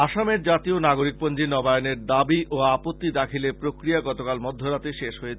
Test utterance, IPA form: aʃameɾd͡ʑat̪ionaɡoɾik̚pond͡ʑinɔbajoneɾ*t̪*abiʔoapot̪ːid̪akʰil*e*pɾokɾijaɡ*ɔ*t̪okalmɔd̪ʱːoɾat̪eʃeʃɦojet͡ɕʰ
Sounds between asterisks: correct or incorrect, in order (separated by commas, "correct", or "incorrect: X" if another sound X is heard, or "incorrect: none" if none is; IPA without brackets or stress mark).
incorrect: d̪, correct, correct